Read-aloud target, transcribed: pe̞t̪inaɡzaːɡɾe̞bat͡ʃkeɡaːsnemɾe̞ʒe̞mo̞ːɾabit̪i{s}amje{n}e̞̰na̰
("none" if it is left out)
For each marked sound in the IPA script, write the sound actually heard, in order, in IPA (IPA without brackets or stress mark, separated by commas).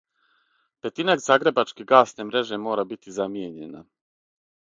z, ɲ